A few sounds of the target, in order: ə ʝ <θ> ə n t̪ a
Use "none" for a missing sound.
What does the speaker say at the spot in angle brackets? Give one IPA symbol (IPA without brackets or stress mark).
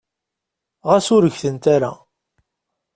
θ